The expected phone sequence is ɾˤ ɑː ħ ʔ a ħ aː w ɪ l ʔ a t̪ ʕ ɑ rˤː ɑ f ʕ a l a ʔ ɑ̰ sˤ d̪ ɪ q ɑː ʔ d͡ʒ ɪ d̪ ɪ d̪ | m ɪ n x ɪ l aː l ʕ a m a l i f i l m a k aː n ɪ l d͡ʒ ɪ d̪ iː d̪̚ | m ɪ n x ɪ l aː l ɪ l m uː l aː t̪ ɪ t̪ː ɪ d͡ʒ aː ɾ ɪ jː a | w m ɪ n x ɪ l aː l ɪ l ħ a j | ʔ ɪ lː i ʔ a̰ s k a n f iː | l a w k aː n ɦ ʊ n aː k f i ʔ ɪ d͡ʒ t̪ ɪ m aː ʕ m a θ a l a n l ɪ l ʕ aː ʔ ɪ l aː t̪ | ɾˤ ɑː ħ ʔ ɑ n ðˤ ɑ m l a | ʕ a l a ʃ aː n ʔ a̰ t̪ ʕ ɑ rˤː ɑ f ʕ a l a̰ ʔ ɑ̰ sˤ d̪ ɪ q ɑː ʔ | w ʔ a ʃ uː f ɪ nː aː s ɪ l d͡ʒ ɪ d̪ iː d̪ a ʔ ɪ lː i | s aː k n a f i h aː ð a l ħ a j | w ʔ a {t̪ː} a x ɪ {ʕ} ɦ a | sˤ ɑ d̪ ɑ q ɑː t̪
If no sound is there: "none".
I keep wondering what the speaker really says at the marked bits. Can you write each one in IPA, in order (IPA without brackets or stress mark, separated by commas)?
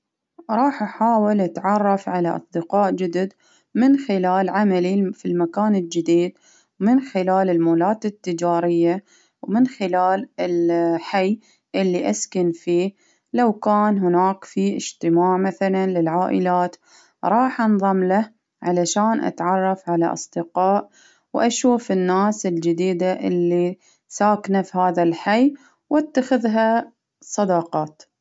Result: t̪ː, ð